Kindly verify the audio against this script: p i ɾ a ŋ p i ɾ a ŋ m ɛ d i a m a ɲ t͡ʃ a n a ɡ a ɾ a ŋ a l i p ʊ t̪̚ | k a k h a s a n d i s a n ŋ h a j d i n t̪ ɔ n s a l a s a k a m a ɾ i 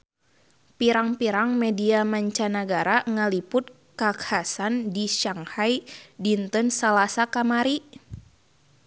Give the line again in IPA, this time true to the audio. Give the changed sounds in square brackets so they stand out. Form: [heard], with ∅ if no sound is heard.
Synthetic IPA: p i ɾ a ŋ p i ɾ a ŋ m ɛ d i a m a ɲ t͡ʃ a n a ɡ a ɾ a ŋ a l i p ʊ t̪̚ | k a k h a s a n d i [ʃ] a [∅] ŋ h a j d i n t̪ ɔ n s a l a s a k a m a ɾ i